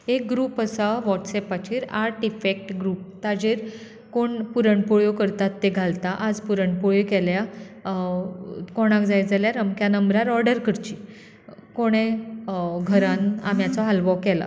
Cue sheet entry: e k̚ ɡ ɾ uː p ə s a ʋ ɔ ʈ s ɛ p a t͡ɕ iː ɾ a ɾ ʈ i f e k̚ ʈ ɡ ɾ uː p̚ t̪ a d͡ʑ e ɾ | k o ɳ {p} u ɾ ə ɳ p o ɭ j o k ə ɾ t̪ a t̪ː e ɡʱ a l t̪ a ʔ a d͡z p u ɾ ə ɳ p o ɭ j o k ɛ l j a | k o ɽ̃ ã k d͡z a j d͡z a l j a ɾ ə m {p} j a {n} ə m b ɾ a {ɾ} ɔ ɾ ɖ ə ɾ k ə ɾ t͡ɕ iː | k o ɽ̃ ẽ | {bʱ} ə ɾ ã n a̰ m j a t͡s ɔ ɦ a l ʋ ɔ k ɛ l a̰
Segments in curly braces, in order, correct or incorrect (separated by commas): correct, incorrect, correct, correct, incorrect